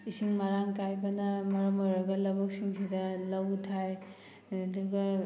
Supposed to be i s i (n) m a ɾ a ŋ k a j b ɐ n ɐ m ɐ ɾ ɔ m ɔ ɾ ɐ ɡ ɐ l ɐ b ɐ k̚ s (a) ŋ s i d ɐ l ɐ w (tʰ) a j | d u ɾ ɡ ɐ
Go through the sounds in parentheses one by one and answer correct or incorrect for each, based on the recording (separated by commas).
incorrect, incorrect, correct